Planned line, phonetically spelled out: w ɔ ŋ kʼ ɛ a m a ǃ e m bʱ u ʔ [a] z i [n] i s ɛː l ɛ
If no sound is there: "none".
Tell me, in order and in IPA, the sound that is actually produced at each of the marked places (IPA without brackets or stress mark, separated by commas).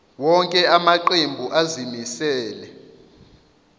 a, m